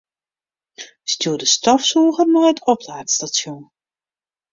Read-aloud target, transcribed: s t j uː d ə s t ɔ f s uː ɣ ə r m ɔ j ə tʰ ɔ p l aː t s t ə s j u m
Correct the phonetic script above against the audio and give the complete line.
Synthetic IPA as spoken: s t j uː d ə s t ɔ f s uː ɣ ə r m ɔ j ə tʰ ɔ p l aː t s t a s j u n